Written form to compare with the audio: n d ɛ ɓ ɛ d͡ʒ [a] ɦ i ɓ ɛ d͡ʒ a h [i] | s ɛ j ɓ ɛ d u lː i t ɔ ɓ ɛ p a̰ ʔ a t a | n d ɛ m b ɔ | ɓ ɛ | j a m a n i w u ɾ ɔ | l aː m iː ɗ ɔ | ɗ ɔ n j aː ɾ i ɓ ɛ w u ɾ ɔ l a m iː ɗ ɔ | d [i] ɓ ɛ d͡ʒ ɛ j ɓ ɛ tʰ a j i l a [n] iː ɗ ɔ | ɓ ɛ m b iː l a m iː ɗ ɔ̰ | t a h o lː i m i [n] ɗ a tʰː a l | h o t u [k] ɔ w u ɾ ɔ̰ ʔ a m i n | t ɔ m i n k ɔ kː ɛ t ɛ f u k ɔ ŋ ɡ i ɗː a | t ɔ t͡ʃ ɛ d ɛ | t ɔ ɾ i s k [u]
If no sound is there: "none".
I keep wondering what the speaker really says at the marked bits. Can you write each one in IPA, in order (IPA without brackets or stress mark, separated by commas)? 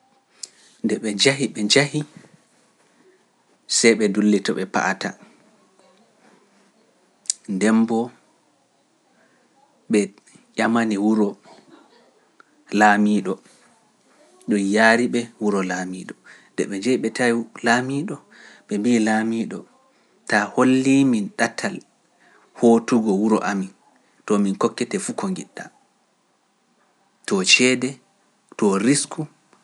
a, i, ɛ, m, n, ɡ, u